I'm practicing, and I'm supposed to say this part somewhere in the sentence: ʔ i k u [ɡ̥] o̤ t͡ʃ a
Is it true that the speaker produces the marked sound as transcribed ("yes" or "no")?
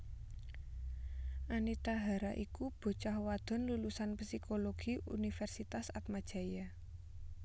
no